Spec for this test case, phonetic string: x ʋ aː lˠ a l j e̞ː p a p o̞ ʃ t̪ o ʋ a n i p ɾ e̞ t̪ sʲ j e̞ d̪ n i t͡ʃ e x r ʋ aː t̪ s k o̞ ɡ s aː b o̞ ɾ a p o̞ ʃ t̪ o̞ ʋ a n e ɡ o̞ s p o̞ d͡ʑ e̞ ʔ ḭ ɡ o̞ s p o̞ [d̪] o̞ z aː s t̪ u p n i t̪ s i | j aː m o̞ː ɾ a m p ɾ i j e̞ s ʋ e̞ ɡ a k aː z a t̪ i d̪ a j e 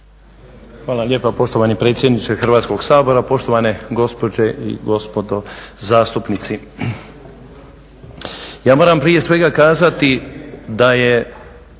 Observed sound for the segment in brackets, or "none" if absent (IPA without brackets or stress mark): d̪